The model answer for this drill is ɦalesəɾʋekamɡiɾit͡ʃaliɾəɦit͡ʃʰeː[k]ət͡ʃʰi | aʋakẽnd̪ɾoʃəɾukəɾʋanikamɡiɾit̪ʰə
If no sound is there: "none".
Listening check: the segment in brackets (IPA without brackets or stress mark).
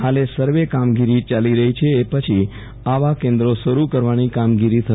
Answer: p